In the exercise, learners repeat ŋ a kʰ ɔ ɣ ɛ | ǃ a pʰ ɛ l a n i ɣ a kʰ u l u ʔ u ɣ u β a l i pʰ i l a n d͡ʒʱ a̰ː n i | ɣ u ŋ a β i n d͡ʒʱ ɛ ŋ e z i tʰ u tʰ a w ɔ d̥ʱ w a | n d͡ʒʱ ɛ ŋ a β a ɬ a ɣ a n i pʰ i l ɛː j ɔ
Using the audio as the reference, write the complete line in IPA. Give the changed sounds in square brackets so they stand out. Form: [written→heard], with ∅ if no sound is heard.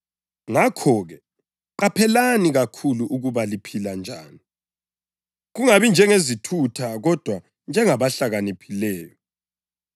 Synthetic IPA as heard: ŋ a kʰ ɔ ɣ ɛ | ǃ a pʰ ɛ l a n i ɣ a kʰ u l u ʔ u ɣ u β a l i pʰ i l a n d͡ʒʱ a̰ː n i | ɣ u ŋ a β i n d͡ʒʱ ɛ ŋ e z i tʰ u tʰ a [w→ɣ] ɔ d̥ʱ w a | n d͡ʒʱ ɛ ŋ a β a ɬ a ɣ a n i pʰ i l ɛː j ɔ